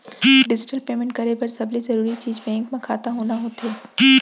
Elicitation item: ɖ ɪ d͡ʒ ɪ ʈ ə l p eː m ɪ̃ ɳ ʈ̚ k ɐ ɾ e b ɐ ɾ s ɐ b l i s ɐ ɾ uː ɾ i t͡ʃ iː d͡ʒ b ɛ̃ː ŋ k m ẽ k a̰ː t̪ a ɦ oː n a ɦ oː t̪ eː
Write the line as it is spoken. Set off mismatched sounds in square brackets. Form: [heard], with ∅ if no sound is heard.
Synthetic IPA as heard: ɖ ɪ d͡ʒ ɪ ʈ ə l p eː m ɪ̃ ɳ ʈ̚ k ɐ ɾ e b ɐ ɾ s ɐ b l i [z] ɐ ɾ uː ɾ i t͡ʃ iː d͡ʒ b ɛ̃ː ŋ k m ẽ [kʰ] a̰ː t̪ a ɦ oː n a ɦ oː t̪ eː